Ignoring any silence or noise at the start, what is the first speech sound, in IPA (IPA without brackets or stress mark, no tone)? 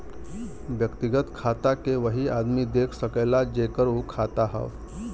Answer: ʋ